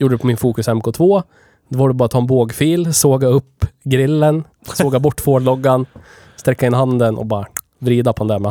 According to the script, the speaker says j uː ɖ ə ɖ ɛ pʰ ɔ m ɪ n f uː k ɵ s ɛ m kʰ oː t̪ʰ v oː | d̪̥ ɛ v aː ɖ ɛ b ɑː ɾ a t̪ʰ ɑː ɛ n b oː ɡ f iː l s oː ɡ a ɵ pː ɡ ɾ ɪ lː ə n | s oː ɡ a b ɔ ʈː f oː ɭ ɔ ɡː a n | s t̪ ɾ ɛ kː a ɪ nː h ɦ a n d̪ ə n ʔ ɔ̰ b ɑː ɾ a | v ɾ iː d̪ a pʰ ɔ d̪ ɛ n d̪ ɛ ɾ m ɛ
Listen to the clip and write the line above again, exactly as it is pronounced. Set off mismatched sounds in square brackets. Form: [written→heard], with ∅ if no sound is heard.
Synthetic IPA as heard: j uː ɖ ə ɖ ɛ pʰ ɔ m ɪ n f uː k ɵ s ɛ m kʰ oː t̪ʰ v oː | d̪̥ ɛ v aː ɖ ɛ b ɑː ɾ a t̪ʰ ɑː ɛ n b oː ɡ f iː l s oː ɡ a ɵ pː ɡ ɾ ɪ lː ə n | s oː ɡ a b ɔ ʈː f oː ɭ ɔ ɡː a n | s t̪ ɾ ɛ kː a ɪ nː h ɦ a n d̪ ə n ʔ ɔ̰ b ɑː ɾ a | v ɾ iː d̪ a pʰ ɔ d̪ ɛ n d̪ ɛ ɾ m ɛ